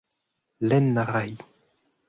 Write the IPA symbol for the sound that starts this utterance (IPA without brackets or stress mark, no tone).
l